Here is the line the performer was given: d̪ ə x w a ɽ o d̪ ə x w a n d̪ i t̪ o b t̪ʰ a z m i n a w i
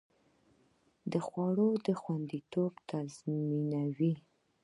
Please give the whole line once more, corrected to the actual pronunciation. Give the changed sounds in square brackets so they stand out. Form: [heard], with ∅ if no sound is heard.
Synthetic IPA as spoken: d̪ ə x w [ɑ] ɽ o d̪ ə x w a n d̪ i t̪ o b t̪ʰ a z m i n a w i